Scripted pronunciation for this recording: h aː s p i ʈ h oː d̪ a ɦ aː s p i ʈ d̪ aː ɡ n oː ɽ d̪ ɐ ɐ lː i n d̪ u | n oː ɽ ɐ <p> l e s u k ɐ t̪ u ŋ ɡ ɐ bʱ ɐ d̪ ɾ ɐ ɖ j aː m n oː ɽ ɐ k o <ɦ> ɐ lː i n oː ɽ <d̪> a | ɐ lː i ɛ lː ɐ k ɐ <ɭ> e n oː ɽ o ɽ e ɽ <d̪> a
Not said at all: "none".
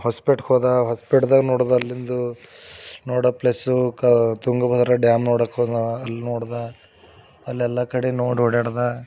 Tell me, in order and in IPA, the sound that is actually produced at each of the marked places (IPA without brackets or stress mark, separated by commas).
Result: p, none, d̪, ɽ, d̪